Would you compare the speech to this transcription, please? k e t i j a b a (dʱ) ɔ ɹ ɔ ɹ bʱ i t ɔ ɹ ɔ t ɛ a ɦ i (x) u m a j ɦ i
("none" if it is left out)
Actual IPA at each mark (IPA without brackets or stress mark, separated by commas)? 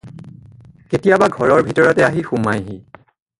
ɡʱ, x